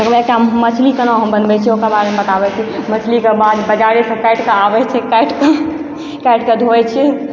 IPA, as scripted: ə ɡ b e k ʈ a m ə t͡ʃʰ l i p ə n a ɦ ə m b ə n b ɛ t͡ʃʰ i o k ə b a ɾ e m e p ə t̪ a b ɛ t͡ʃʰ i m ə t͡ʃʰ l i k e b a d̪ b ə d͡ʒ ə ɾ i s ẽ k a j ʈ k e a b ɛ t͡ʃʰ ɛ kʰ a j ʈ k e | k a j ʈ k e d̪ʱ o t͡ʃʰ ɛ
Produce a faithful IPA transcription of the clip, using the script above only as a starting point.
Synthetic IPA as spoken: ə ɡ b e k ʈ a m ə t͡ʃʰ l i k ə n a ɦ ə m b ə n b ɛ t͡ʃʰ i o k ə b a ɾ e m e b ə t̪ a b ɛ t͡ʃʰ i m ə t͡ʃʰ l i k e b a d̪ b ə d͡ʒ a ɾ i s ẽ k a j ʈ k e a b ɛ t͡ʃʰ ɛ k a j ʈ k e | k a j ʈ k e d̪ʱ o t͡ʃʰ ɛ